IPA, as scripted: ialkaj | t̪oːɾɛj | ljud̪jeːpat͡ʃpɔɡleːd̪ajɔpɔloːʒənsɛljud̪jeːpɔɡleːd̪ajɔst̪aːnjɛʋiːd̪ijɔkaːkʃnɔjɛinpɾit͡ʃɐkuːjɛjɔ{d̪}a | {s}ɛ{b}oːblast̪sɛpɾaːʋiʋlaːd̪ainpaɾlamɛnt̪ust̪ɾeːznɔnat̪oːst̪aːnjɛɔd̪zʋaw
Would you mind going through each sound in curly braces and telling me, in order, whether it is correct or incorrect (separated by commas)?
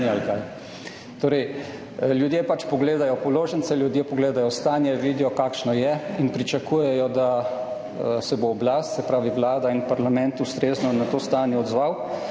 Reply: correct, correct, correct